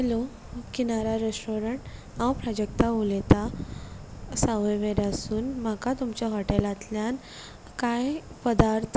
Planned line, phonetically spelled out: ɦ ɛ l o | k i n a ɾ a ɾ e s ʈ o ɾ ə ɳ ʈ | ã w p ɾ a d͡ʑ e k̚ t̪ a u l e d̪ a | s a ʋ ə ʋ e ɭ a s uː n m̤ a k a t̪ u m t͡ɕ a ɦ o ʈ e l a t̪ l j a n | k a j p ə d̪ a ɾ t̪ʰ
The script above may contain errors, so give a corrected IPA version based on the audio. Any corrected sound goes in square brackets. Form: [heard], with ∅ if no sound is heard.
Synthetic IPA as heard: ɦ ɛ l o | k i n a ɾ a ɾ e s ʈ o ɾ ə ɳ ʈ | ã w p ɾ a d͡ʑ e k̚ t̪ a u l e [t̪] a | s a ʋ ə ʋ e [ɾ] a s uː n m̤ a k a t̪ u m t͡ɕ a ɦ [ɔ] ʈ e l a t̪ l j a n | k a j p ə d̪ a ɾ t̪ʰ